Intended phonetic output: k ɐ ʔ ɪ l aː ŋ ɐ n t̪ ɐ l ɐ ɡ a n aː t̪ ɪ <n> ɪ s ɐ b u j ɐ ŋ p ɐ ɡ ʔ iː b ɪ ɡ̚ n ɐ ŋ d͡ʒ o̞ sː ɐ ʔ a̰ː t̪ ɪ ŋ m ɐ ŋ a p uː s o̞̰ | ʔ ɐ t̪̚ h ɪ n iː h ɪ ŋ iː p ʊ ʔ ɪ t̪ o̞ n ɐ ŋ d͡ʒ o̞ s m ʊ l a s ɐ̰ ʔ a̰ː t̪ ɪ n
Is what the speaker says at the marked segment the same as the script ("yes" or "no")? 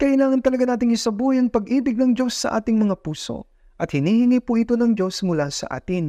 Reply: no